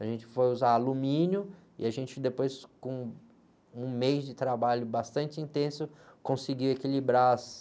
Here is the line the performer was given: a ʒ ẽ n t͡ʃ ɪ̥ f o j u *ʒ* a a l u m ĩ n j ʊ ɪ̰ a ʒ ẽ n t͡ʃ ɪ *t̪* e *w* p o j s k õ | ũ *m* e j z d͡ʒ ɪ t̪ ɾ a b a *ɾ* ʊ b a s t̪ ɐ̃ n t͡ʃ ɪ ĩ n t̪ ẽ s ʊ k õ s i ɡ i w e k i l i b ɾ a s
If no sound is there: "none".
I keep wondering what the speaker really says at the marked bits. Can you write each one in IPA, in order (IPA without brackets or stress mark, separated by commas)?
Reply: z, d̪, none, m, ʎ